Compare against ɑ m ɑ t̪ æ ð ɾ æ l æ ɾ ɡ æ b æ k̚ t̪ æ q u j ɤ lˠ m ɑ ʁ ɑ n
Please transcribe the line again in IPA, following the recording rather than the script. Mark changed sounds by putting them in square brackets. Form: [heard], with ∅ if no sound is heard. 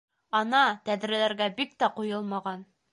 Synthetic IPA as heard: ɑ [n] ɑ t̪ æ ð ɾ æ l æ ɾ ɡ æ b [i] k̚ t̪ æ q u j ɤ lˠ m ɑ ʁ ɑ n